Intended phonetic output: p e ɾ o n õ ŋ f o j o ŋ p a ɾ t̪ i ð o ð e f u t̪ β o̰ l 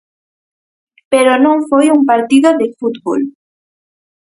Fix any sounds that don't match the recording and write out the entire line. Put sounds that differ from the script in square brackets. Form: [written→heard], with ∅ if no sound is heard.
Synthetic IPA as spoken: p e ɾ o n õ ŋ f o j [o→u] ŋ p a ɾ t̪ i ð o ð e f u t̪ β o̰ l